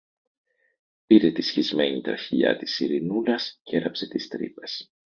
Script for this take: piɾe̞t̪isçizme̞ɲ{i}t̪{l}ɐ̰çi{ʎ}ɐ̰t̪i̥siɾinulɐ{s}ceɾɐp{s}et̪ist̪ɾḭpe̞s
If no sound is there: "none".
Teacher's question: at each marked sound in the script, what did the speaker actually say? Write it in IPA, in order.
i, ɾ, ʎ, s, s

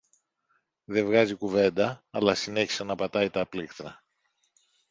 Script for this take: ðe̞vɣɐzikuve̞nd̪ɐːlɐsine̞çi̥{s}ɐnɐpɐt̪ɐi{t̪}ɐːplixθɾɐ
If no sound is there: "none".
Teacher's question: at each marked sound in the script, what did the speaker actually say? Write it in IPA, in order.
s, t̪

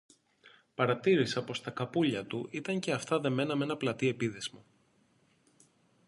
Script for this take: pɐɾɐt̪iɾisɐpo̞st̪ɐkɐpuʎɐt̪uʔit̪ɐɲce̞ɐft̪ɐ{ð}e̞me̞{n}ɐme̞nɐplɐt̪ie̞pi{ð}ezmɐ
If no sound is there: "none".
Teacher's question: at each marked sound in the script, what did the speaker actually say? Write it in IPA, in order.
ð, n, ð

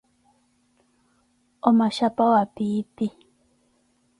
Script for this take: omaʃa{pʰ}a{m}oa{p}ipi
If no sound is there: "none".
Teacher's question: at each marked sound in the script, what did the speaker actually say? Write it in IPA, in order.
p, none, p

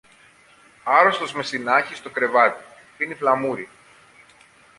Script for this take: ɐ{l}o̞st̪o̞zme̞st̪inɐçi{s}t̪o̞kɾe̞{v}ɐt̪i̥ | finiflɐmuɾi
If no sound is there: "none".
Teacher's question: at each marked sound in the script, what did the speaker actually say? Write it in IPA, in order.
ɾ, s, v

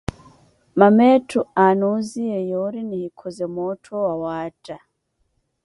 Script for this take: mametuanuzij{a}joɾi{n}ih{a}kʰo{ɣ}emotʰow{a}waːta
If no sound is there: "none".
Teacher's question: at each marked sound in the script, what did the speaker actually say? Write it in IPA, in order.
e, n, i, z, a

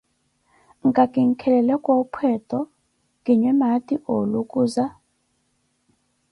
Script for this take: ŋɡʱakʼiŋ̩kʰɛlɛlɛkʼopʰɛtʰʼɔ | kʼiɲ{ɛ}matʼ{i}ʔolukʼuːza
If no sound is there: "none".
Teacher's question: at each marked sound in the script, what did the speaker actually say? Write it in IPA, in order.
ɛ, i

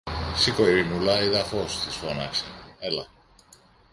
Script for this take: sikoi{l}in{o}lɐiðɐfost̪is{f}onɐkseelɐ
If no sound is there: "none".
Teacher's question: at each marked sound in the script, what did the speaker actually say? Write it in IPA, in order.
ɾ, u, f

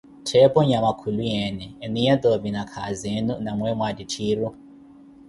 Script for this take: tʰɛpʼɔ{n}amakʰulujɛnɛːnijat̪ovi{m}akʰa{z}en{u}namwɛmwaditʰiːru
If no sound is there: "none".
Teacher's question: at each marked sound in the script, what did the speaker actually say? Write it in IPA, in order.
ɲ, n, z, u

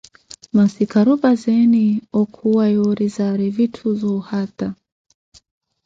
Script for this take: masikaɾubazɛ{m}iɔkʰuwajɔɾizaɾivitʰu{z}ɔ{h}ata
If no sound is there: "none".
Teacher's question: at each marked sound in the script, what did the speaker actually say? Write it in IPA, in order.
n, z, h

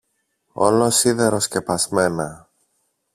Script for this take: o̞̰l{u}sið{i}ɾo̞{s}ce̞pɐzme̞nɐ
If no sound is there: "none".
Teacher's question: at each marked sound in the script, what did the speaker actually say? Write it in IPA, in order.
o, e, s

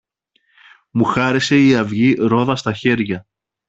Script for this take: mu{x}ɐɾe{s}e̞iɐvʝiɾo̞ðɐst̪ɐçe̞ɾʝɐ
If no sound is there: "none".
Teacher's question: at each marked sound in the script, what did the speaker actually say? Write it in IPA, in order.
x, s

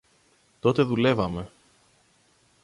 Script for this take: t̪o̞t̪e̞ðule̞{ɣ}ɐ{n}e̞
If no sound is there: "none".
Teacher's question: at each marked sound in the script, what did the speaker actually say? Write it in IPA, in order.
v, m

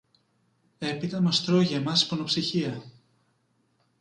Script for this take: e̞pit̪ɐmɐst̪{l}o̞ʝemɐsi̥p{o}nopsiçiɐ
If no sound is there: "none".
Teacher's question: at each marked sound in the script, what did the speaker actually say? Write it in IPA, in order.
ɾ, o

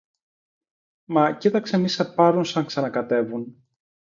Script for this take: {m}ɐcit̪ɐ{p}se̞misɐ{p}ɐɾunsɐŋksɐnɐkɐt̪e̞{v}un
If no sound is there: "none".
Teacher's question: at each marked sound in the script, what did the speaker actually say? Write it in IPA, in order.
m, k, p, v

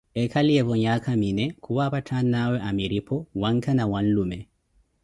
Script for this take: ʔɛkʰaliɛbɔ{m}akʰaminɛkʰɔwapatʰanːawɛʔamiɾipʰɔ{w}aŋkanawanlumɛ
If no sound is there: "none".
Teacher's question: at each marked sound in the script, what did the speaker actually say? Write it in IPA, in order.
ɲ, w

